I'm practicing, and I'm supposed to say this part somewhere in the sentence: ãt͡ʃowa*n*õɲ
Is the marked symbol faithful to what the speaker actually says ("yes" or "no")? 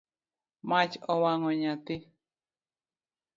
no